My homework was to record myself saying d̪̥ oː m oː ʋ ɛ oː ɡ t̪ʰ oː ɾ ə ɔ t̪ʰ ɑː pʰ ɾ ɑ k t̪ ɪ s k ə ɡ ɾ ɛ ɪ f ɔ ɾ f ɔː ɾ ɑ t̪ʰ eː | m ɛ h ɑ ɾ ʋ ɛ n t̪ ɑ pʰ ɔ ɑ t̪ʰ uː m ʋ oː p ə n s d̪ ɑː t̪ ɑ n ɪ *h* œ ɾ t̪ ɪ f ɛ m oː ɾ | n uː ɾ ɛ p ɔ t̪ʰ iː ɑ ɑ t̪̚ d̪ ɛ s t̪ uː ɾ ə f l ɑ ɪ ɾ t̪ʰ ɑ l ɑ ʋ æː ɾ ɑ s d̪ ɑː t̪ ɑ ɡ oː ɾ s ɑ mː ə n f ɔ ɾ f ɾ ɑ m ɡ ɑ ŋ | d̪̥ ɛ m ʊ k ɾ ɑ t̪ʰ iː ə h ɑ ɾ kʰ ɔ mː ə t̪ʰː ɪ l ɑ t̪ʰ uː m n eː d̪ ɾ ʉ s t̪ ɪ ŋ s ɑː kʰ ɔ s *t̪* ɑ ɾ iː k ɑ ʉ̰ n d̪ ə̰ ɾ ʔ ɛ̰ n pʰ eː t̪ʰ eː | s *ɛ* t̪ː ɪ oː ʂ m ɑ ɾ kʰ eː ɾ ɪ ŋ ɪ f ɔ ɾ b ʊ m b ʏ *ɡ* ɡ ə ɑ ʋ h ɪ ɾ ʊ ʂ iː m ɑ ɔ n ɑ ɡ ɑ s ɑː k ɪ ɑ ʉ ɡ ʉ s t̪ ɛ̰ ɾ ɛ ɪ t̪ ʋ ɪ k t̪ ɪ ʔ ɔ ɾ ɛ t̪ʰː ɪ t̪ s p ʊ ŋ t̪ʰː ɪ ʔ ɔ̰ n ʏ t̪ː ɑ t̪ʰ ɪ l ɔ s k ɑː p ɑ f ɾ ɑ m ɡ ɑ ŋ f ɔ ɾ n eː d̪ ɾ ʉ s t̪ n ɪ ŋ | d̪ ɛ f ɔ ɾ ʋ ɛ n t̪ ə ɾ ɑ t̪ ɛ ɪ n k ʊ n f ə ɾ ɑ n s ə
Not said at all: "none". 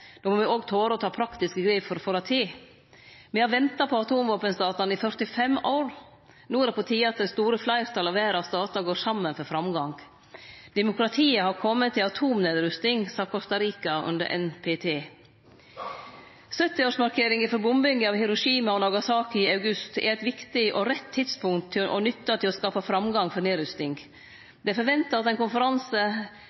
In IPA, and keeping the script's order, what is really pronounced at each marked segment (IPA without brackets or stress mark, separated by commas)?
f, t̪, œ, ŋ